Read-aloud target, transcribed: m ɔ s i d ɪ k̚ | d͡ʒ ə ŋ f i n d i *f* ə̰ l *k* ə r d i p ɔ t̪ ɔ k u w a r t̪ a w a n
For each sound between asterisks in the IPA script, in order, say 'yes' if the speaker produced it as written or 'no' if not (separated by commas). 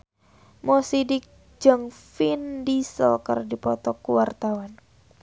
no, yes